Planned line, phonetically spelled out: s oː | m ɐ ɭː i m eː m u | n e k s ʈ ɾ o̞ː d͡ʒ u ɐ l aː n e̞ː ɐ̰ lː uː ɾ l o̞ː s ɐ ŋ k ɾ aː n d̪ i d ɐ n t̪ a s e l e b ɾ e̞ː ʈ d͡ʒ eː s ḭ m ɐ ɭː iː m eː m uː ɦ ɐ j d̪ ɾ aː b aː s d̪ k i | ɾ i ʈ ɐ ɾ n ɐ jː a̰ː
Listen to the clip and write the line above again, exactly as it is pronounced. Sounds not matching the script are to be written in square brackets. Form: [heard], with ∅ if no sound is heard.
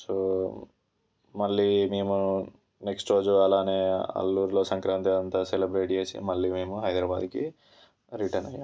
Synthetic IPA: s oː | m ɐ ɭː i m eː m u | n e k s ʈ ɾ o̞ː d͡ʒ u ɐ l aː n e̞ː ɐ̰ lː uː ɾ l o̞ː s ɐ ŋ k ɾ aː n [t̪] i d ɐ n t̪ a s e l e b ɾ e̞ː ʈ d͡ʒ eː s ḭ m ɐ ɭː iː m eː m [u] ɦ ɐ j d̪ ɾ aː b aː [∅] d̪ k i | ɾ i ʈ ɐ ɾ n ɐ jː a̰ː